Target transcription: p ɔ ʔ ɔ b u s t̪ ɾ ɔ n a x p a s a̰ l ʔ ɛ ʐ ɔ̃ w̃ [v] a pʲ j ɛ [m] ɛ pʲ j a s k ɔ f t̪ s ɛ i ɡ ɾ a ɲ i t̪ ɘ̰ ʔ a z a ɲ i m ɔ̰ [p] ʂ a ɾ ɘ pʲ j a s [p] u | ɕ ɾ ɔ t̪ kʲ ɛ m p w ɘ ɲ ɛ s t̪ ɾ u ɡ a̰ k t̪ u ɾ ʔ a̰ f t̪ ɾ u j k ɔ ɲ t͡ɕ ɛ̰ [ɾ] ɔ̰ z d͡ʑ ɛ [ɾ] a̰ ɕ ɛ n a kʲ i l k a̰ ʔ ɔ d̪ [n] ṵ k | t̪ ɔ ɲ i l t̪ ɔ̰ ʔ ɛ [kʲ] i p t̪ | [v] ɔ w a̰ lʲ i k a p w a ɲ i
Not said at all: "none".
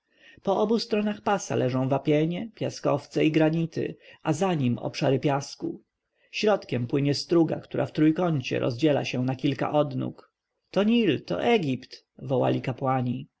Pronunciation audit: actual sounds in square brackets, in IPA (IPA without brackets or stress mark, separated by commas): v, ɲ, p, k, ɾ, l, n, ɡʲ, v